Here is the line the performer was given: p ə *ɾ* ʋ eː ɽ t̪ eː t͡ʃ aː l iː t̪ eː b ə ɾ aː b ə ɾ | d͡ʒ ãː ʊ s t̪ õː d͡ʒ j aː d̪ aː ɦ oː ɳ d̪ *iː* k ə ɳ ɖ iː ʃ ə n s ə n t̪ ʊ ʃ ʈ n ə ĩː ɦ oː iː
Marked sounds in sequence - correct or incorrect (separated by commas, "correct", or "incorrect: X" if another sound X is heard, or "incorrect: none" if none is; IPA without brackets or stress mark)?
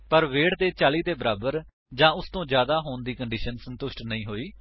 correct, correct